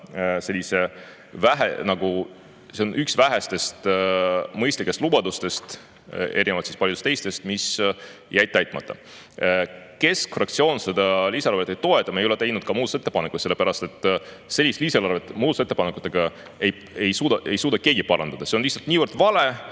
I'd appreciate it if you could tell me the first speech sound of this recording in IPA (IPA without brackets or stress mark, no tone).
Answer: s